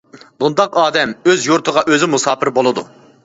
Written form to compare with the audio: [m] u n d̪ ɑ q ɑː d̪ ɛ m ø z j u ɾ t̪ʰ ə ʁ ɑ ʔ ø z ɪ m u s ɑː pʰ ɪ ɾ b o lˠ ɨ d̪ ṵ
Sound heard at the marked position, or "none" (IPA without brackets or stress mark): b